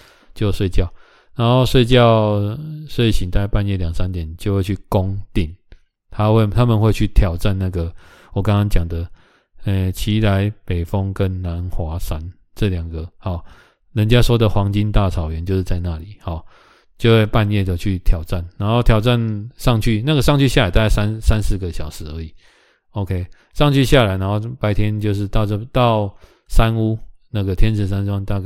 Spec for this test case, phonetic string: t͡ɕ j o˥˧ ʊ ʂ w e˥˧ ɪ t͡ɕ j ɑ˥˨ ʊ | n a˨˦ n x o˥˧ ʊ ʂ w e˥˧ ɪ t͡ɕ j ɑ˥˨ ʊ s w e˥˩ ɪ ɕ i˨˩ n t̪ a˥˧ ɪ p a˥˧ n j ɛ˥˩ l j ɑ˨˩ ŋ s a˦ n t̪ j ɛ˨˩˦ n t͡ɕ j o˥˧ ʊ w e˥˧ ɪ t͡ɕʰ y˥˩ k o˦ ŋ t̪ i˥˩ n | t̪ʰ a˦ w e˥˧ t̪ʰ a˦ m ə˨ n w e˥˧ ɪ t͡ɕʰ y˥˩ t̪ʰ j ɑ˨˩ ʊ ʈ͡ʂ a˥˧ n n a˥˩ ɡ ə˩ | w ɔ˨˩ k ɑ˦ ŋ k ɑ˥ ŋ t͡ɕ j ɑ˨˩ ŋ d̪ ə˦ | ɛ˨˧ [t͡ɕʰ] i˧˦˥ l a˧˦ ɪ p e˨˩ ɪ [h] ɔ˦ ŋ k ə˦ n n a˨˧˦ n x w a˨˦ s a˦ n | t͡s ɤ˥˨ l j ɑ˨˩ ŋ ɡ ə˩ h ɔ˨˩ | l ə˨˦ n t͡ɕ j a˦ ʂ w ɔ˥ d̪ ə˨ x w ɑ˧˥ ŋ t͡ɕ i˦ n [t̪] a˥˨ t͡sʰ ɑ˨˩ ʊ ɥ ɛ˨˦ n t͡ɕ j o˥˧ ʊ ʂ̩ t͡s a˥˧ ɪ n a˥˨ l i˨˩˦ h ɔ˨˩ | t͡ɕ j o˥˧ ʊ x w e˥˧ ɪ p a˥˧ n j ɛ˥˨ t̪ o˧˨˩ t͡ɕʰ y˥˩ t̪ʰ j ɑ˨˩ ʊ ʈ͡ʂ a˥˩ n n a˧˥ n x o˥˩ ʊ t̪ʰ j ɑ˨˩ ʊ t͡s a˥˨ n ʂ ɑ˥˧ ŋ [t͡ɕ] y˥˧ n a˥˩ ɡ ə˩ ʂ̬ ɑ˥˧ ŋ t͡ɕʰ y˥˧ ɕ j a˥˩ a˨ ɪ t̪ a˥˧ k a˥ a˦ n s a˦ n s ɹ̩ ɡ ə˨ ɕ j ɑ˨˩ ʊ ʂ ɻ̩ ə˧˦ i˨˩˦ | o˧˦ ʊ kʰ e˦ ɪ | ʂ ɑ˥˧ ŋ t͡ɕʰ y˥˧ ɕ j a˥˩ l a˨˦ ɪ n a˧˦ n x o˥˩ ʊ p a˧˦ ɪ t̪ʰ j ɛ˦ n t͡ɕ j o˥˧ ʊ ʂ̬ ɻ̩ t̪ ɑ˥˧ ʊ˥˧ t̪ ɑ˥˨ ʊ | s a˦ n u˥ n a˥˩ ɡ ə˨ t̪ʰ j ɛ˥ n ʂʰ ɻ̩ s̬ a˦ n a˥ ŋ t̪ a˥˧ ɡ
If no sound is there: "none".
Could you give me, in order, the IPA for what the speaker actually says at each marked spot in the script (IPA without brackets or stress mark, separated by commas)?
t͡ɕʰ, f, t̪, t͡ɕʰ